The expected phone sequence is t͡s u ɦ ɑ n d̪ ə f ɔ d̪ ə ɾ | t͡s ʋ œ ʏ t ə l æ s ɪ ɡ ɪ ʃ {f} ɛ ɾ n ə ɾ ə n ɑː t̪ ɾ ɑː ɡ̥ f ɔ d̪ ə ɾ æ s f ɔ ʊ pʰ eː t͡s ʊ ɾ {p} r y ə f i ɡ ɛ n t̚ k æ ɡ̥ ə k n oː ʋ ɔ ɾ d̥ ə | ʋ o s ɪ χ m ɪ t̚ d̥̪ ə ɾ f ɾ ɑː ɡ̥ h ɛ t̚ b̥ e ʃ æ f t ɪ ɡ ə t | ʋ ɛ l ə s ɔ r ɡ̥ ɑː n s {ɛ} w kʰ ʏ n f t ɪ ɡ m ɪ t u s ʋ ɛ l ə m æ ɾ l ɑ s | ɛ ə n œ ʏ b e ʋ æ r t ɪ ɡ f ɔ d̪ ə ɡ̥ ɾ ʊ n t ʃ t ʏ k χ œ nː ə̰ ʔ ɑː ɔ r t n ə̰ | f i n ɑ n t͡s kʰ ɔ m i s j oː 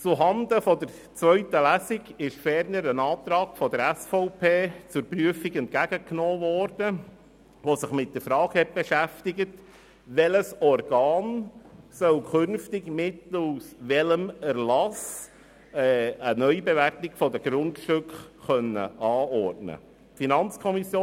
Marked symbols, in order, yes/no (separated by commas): yes, yes, no